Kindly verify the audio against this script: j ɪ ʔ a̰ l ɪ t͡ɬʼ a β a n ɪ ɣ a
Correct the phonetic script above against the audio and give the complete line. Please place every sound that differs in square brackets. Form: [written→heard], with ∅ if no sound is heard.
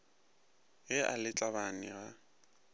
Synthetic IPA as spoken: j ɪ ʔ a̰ l ɪ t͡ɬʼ a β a n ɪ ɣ a